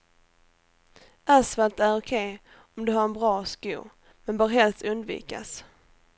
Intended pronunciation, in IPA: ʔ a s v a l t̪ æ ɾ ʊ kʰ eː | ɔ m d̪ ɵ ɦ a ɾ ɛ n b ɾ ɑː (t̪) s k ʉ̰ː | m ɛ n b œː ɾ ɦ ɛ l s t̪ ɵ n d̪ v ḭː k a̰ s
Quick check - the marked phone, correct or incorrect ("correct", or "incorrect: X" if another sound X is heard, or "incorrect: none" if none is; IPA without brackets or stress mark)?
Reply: incorrect: none